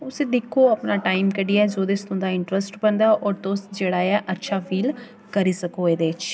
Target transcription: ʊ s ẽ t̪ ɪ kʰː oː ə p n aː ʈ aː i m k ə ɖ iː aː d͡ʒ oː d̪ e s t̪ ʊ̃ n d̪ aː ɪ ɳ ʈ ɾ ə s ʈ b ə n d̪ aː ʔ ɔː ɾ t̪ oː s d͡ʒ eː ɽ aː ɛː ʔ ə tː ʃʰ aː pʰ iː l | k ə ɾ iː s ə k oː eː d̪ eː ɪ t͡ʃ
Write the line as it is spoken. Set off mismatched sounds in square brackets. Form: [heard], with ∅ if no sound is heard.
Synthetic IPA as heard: ʊ s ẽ [d̪] ɪ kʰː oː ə p n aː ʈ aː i m k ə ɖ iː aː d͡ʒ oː d̪ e s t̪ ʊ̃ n d̪ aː ɪ ɳ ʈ ɾ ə s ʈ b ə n d̪ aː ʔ ɔː ɾ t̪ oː s d͡ʒ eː ɽ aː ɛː ʔ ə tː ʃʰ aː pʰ iː l | k ə ɾ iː s ə k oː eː d̪ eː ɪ t͡ʃ